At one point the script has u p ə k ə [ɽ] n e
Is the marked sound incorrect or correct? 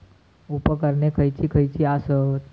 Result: incorrect